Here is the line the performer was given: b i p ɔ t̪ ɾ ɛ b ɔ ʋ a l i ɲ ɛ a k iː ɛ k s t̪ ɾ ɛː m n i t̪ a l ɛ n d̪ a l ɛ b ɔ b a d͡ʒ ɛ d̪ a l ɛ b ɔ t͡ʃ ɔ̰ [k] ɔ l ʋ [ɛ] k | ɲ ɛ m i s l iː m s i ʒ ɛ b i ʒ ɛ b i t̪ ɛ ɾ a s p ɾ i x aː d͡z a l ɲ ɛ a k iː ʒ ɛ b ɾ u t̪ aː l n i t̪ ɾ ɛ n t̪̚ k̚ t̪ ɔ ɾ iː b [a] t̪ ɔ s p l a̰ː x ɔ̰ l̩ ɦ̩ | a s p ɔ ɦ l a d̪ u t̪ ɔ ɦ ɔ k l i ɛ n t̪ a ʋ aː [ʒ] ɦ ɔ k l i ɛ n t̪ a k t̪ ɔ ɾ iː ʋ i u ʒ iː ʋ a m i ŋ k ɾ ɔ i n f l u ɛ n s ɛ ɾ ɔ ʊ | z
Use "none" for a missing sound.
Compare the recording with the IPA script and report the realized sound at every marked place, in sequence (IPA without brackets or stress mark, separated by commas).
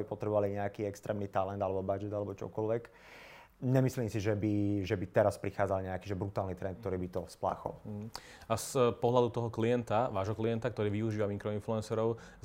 k, ɛ, i, ʒ